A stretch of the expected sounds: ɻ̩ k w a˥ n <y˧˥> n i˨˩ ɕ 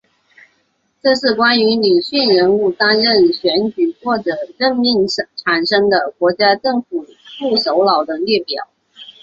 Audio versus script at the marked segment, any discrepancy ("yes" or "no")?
no